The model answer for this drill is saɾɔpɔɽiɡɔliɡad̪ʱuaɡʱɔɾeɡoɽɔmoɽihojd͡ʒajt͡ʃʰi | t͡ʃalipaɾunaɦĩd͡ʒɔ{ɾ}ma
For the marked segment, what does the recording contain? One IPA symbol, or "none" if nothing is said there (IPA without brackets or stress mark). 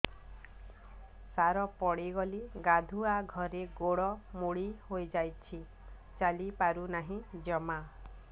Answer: none